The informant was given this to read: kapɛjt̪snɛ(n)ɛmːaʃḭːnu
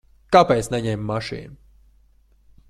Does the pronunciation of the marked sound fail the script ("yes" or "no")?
yes